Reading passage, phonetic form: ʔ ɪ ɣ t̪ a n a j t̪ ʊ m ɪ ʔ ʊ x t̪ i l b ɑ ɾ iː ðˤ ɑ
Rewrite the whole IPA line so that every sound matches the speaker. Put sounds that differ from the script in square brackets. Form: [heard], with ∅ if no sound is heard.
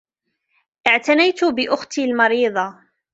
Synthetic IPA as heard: ʔ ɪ [ʕ] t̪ a n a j t̪ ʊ [b] ɪ ʔ ʊ x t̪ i l [m] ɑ ɾ iː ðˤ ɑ